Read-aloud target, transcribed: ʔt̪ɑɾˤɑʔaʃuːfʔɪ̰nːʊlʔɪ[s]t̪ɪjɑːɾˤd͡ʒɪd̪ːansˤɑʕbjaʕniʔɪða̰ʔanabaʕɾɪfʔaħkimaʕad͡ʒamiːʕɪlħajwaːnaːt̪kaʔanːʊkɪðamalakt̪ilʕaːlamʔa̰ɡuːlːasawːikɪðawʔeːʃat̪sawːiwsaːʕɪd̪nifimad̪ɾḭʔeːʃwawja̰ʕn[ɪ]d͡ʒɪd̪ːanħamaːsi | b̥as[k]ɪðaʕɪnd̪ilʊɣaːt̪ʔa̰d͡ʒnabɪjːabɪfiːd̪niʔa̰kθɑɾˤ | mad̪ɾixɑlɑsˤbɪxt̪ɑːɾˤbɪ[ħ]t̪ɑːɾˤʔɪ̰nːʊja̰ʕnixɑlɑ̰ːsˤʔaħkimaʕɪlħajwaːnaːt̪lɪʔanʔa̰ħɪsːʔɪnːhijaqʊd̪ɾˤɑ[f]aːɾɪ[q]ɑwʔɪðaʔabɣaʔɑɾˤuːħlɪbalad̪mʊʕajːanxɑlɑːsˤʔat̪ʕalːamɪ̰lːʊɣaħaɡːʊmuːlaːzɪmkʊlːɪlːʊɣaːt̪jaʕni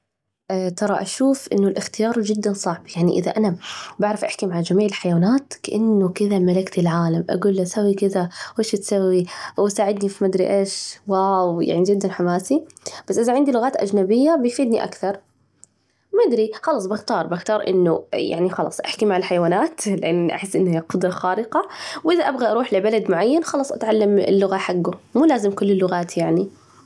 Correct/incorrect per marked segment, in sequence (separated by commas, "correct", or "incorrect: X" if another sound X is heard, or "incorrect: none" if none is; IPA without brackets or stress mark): incorrect: x, incorrect: i, incorrect: ʔ, incorrect: x, incorrect: x, correct